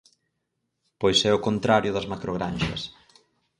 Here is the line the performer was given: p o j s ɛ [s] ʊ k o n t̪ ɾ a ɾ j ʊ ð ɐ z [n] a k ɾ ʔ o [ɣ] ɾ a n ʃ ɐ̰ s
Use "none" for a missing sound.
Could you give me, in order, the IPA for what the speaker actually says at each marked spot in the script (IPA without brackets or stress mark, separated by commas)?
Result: none, m, ɣ